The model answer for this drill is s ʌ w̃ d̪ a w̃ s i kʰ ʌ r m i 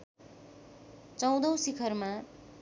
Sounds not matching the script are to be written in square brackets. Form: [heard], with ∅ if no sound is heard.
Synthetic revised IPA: [t͡s] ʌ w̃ d̪ [ʌ] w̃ s i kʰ ʌ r m [a]